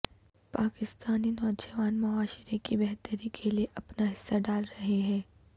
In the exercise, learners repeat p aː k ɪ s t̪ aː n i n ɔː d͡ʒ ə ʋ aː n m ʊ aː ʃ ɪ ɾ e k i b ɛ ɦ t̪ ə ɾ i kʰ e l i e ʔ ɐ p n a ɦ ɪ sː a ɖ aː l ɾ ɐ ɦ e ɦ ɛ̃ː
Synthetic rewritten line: p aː k ɪ s t̪ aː n i n ɔː d͡ʒ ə ʋ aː n m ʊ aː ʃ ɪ ɾ e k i b ɛ ɦ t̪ ə ɾ i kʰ e l i e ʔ ɐ p n a ɦ ɪ sː a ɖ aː l ɾ ɐ ɦ e ɦ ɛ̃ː